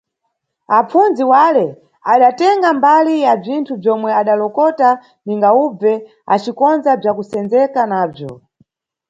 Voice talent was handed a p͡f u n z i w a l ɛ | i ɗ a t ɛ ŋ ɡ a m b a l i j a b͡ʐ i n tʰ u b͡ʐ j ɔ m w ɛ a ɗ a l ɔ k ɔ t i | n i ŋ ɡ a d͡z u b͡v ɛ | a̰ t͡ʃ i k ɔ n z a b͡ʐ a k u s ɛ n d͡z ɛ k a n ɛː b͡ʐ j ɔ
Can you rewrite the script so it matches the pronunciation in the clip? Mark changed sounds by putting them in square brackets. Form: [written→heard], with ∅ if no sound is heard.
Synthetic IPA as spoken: a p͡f u n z i w a l ɛ | [i→a] ɗ a t ɛ ŋ ɡ a m b a l i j a b͡ʐ i n tʰ u b͡ʐ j ɔ m w ɛ a ɗ a l ɔ k ɔ t [i→a] | n i ŋ ɡ a [d͡z→∅] u b͡v ɛ | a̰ t͡ʃ i k ɔ n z a b͡ʐ a k u s ɛ n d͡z ɛ k a n [ɛː→aː] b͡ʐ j ɔ